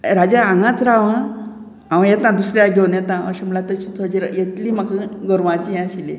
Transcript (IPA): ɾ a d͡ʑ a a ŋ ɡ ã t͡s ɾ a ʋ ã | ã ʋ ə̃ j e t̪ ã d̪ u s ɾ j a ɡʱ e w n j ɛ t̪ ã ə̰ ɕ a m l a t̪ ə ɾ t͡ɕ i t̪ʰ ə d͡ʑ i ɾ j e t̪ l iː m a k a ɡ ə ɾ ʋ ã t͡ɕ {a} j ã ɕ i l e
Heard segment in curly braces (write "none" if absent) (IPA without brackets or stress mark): i